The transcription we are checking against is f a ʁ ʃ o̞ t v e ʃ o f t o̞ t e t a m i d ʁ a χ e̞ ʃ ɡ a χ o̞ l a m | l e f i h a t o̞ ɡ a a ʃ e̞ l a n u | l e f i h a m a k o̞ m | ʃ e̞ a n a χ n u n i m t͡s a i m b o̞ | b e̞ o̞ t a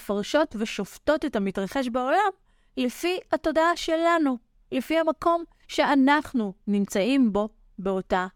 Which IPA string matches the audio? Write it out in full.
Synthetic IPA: f a ʁ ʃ o̞ t v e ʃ o f t o̞ t e t a m i t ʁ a χ e̞ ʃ b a o̞ l a m | l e f i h a t o̞ d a a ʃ e̞ l a n u | l e f i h a m a k o̞ m | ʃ e̞ a n a χ n u n i m t͡s a i m b o̞ | b e̞ o̞ t a